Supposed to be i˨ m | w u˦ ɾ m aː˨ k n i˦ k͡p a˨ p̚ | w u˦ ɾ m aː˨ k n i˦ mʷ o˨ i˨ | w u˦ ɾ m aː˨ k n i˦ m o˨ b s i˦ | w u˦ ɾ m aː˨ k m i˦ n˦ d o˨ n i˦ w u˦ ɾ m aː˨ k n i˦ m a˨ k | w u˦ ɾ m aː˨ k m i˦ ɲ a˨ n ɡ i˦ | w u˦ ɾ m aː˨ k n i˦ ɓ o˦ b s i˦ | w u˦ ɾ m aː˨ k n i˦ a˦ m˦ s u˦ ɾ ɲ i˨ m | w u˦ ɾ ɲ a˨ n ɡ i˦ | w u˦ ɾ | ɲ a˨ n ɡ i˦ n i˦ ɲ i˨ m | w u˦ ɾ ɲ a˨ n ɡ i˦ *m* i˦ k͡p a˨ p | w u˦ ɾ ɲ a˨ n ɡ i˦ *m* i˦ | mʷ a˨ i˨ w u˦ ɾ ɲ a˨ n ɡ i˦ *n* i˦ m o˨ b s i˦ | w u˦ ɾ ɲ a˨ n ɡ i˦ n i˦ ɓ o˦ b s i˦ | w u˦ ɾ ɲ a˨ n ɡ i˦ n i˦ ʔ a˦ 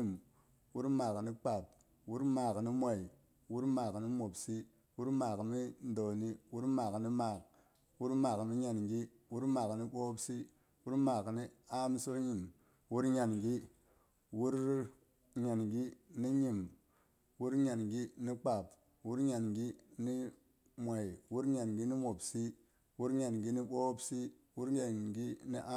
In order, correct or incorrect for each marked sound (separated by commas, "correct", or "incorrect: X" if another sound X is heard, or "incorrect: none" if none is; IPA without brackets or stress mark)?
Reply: incorrect: n, incorrect: n, correct